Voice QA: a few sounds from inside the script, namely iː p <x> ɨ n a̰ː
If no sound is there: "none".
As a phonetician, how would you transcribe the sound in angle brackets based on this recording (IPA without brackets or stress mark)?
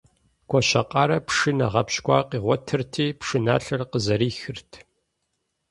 ʂ